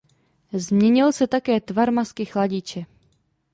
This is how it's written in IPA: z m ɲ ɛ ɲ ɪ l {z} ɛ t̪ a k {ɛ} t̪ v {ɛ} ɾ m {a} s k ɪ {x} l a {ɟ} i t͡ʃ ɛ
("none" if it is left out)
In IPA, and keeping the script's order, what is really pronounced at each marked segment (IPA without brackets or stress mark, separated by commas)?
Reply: s, ɛː, a, a, x, ɟ